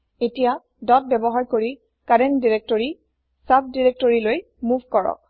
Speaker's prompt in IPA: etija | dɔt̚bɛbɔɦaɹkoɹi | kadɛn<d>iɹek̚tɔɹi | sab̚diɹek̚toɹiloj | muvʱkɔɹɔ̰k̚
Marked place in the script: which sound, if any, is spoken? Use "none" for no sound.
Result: d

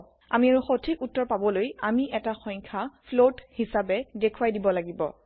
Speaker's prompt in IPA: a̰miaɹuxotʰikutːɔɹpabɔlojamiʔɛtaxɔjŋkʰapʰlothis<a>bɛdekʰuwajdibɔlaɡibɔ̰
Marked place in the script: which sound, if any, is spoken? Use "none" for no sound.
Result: a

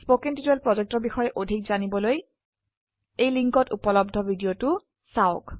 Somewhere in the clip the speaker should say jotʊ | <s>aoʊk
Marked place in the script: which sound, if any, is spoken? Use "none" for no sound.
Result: s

